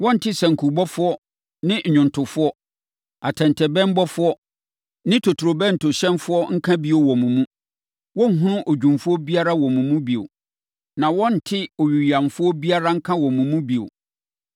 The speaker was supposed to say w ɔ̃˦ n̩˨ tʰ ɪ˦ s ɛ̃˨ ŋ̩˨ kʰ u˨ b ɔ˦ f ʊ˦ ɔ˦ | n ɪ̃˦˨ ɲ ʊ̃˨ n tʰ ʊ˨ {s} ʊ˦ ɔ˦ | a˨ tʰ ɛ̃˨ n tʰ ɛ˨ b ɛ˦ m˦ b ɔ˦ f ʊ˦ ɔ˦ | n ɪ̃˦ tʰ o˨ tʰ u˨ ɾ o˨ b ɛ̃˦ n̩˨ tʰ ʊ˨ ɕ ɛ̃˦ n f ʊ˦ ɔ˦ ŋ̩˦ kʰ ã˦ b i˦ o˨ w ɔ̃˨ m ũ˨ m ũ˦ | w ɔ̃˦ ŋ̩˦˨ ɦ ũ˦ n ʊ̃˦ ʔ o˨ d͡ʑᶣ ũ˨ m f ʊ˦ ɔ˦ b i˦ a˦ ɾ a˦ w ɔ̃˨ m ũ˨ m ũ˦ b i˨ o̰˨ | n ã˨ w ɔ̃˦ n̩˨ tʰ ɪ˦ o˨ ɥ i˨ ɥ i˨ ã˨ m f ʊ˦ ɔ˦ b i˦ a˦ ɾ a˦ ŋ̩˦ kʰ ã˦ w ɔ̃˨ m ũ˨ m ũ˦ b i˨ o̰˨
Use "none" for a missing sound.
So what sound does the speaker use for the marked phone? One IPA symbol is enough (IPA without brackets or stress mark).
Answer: f